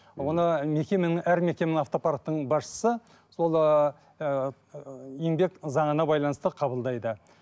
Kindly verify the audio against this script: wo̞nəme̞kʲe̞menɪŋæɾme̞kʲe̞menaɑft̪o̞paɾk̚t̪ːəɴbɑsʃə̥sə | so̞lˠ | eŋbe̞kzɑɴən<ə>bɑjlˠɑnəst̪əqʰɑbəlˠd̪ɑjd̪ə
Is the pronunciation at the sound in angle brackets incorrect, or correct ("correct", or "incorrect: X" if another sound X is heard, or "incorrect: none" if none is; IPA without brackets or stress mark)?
incorrect: ɑ